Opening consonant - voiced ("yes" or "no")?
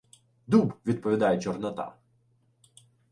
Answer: yes